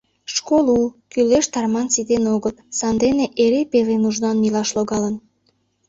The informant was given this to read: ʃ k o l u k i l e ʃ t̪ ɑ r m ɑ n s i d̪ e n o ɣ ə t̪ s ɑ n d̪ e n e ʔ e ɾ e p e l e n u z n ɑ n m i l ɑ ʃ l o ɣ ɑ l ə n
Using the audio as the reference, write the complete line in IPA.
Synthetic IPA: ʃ k o l u k y l e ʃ t̪ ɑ r m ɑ n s i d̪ e n o ɣ ə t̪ s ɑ n d̪ e n e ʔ e ɾ e p e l e n u ʒ n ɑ n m i l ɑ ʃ l o ɣ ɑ l ə n

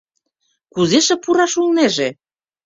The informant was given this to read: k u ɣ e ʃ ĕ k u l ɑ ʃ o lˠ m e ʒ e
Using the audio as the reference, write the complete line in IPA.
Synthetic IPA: k u z e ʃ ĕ p u ɾ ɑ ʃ u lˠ n e ʒ e

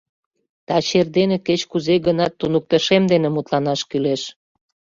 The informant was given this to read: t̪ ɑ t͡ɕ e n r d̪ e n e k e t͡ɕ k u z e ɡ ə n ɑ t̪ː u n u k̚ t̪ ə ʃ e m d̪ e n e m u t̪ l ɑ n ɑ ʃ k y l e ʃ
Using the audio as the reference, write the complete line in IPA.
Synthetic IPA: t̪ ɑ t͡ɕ e r d̪ e n e k e t͡ɕ k u z e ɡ ə n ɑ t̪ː u n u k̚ t̪ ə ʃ e m d̪ e n e m u t̪ l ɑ n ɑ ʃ k y l e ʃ

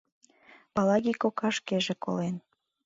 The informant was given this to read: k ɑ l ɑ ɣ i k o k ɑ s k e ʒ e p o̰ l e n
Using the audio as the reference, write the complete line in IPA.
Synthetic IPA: p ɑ l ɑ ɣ i k o k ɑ ʃ k e ʒ e k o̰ l e n

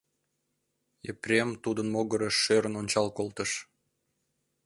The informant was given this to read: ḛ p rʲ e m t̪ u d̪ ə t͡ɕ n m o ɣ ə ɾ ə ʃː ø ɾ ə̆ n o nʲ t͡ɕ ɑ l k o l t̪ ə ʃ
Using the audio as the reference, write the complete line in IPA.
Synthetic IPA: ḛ p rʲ e m t̪ u d̪ ə n m o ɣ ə ɾ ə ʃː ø ɾ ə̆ n o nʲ t͡ɕ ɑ l k o l t̪ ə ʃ

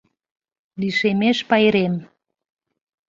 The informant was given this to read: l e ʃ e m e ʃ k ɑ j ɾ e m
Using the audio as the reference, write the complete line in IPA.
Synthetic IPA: l i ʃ e m e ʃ p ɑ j ɾ e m

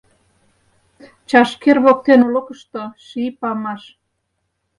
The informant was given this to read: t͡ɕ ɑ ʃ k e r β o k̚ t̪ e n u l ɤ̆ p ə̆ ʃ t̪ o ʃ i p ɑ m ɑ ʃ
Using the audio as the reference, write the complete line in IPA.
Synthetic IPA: t͡ɕ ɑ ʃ k e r β o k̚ t̪ e n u l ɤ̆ k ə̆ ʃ t̪ o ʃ i p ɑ m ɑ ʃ

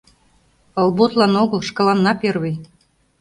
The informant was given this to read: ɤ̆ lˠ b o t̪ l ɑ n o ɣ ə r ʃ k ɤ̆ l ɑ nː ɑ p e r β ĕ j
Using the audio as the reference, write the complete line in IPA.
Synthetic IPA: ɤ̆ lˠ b o t̪ l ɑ n o ɣ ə l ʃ k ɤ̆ l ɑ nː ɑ p e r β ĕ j

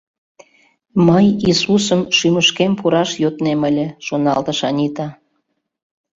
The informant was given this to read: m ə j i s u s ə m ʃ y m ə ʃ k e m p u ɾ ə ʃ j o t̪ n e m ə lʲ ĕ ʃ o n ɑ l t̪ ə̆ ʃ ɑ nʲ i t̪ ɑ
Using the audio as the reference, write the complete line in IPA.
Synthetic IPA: m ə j i s u s ə m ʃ y m ə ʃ k e m p u ɾ ɑ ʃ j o t̪ n e m ə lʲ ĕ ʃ o n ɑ l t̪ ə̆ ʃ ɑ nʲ i t̪ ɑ

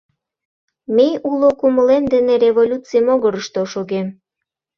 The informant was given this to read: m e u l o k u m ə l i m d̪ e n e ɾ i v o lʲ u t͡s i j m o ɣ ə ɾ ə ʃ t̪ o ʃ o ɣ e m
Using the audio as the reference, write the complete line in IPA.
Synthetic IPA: m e u l o k u m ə l e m d̪ e n e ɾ e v o lʲ u t͡s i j m o ɣ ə ɾ ə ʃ t̪ o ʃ o ɣ e m

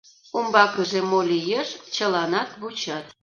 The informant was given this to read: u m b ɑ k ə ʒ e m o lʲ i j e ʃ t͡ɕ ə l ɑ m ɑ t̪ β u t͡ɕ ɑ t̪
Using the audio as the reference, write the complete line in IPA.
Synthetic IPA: u m b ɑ k ə ʒ e m o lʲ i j e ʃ t͡ɕ ə l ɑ n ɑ t̪ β u t͡ɕ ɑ t̪

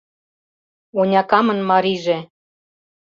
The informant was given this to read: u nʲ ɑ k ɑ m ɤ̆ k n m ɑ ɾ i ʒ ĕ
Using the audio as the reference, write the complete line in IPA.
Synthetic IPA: o nʲ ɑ k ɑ m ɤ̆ n m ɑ ɾ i ʒ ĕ

